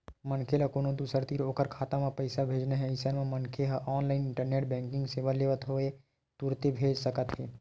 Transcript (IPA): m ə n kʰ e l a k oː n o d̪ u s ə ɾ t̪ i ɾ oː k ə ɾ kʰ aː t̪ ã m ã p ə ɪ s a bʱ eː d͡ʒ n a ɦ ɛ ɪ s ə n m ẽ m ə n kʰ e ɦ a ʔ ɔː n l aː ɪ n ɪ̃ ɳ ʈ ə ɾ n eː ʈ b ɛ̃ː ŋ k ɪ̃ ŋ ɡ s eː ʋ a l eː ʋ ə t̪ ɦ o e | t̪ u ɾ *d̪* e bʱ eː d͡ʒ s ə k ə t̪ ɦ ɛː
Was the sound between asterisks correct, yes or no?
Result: no